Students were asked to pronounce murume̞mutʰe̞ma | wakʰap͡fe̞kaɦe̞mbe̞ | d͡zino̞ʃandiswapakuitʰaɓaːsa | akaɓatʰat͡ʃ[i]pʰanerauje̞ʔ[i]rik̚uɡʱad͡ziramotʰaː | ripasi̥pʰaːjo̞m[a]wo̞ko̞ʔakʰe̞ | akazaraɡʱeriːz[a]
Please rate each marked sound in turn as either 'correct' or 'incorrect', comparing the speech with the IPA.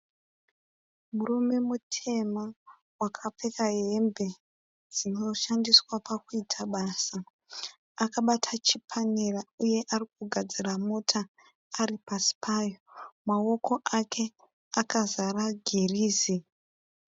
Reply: correct, incorrect: a, correct, incorrect: i

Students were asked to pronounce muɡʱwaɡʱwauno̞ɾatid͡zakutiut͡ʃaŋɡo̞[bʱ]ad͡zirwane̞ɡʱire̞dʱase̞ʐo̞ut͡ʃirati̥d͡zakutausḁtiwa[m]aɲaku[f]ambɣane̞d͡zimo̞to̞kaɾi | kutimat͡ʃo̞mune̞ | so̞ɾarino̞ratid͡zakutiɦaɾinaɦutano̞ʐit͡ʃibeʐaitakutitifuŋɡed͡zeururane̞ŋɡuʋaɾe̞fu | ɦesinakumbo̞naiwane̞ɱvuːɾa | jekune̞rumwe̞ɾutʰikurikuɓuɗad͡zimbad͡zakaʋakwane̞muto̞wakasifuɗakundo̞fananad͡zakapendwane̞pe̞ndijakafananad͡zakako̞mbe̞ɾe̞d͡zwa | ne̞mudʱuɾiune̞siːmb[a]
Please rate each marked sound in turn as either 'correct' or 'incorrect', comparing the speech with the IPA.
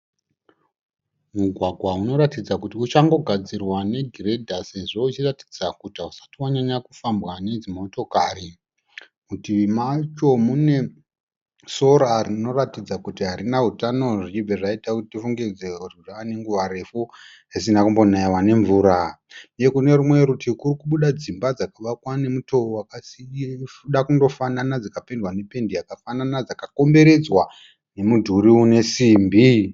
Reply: incorrect: ɡʱ, incorrect: ɲ, correct, incorrect: i

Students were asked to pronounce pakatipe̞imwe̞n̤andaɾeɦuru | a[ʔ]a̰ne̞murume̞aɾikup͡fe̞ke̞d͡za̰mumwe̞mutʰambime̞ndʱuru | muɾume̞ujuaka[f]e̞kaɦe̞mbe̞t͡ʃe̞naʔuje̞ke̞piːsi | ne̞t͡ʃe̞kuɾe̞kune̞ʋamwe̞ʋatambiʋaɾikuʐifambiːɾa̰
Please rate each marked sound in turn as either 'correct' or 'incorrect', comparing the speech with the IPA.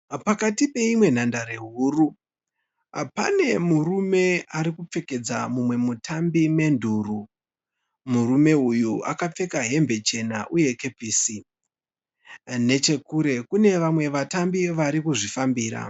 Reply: incorrect: p, incorrect: p͡f

